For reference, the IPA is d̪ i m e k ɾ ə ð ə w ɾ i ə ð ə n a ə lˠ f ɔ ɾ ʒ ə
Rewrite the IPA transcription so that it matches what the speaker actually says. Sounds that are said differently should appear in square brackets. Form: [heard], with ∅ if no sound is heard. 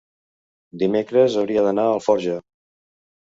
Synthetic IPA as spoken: d̪ i m e k ɾ ə [z] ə w ɾ i ə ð ə n a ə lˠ f ɔ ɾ ʒ ə